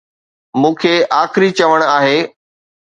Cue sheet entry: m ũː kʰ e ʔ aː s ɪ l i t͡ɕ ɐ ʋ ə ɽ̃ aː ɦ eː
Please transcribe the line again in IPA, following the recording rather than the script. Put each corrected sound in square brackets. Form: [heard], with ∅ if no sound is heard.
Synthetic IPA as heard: m ũː kʰ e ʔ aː [x] ɪ [ɾ] i t͡ɕ ɐ ʋ ə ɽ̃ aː ɦ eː